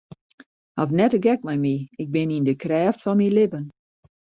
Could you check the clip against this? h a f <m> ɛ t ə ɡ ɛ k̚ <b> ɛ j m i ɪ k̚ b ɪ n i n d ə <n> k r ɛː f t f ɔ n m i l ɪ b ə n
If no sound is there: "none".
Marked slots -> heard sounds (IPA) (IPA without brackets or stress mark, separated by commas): n, m, none